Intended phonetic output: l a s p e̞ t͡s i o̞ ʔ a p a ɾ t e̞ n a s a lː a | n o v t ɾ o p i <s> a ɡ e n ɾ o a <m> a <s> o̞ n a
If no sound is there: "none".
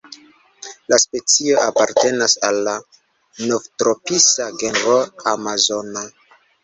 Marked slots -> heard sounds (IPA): s, m, z

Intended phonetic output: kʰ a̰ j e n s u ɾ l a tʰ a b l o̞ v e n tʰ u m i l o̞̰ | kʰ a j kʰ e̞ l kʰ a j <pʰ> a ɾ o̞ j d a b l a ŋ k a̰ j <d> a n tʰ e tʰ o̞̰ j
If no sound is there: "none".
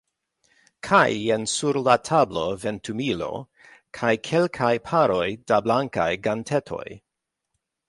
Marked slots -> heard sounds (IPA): pʰ, ɡ

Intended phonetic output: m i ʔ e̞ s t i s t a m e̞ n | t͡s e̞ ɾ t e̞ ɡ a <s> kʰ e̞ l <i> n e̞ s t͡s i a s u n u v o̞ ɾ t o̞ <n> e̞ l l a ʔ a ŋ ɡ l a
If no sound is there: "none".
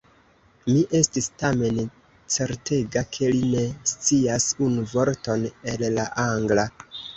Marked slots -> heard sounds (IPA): none, i, n

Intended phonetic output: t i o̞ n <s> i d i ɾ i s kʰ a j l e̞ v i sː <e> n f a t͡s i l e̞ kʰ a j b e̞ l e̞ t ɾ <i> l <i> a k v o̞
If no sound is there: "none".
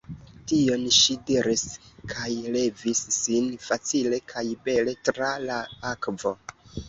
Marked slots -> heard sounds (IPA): ʃ, i, a, a

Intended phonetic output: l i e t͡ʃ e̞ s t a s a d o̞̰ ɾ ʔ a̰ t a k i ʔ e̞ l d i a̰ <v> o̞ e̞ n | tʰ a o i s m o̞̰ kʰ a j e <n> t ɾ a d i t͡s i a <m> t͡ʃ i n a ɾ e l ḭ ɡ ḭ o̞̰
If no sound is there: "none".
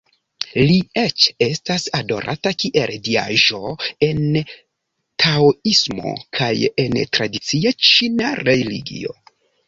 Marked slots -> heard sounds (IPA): ʒ, n, none

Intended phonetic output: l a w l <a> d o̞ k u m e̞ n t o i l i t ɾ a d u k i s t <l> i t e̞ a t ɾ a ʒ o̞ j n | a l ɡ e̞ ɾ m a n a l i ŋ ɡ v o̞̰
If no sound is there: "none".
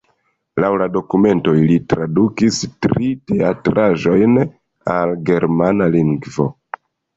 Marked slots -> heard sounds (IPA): a, ɾ

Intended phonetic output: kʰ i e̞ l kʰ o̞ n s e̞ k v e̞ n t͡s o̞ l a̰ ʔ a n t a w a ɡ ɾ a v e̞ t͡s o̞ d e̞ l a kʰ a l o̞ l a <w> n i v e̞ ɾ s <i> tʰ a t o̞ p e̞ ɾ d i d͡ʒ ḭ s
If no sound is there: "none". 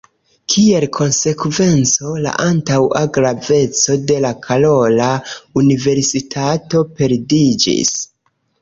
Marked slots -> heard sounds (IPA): u, i

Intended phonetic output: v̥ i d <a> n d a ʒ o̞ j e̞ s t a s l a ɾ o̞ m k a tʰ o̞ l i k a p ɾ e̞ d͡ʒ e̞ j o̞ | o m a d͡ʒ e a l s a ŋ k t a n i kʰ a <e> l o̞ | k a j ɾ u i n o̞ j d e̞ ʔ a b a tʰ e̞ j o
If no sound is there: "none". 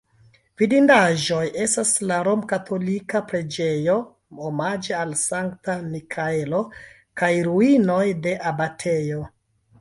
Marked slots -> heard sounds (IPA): i, e

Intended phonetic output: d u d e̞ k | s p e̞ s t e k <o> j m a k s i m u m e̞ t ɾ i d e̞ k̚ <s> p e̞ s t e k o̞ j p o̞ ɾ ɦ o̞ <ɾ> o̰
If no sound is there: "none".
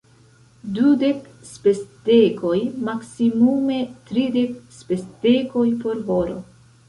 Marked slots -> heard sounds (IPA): o, s, ɾ

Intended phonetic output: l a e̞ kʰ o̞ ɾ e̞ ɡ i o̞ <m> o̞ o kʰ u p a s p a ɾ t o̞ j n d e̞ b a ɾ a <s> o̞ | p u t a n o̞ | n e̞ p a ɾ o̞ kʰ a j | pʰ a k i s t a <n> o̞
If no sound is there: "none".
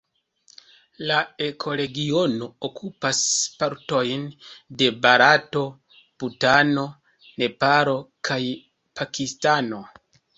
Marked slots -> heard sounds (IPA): n, t, n

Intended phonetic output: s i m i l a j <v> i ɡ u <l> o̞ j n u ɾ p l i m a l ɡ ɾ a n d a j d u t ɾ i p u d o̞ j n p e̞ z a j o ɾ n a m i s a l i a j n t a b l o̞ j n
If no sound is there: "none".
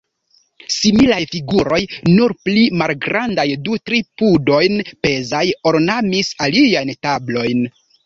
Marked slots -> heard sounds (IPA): f, ɾ

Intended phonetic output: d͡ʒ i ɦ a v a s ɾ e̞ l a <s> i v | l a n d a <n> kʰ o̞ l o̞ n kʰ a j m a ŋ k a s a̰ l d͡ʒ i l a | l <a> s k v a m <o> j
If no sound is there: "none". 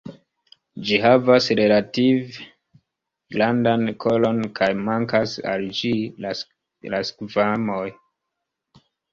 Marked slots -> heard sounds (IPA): t, n, a, o

